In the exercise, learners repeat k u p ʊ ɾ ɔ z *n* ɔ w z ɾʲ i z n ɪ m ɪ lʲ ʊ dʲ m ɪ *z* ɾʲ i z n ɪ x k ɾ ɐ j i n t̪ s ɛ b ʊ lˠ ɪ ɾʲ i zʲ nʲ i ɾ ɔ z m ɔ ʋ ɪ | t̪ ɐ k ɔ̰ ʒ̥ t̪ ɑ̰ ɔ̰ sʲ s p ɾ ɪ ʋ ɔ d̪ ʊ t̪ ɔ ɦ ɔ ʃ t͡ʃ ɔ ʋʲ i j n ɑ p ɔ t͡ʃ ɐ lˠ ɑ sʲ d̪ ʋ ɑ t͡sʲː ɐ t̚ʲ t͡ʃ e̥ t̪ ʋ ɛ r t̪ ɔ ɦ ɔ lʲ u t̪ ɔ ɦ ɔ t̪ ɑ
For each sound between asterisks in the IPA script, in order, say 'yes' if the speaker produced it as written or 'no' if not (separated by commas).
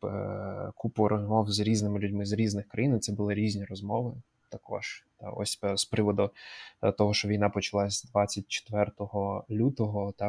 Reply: no, yes